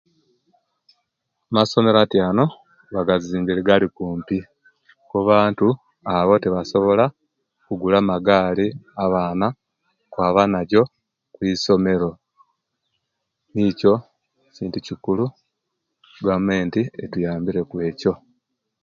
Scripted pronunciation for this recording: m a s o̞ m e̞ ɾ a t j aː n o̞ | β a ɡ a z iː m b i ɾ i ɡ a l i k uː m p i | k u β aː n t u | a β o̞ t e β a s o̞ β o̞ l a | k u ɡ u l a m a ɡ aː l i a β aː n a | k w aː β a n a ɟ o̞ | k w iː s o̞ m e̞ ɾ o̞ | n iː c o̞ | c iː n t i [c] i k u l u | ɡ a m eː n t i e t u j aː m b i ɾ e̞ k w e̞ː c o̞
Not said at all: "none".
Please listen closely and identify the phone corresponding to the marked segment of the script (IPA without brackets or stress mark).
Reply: c